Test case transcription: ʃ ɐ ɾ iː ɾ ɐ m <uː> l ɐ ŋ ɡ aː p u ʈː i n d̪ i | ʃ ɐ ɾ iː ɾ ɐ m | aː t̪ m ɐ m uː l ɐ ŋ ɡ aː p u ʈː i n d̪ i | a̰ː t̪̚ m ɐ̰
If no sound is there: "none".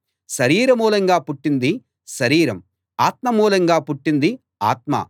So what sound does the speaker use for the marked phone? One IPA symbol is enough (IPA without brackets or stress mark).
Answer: uː